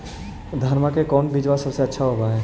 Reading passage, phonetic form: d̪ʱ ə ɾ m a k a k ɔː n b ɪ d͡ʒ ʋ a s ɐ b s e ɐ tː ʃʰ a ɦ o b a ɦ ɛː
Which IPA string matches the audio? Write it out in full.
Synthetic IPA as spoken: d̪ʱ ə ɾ m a k e k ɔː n b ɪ d͡ʒ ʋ a s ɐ b s e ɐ tː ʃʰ a ɦ o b a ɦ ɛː